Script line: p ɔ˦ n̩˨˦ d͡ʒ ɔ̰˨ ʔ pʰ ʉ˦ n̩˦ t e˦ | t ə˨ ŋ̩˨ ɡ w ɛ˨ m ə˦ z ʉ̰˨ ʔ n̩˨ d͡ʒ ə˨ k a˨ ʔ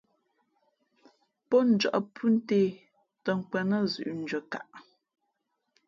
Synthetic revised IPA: p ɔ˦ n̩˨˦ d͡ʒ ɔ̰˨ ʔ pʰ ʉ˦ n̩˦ t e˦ | t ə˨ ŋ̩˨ k w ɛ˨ n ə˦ z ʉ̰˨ ʔ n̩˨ d͡ʒ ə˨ k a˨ ʔ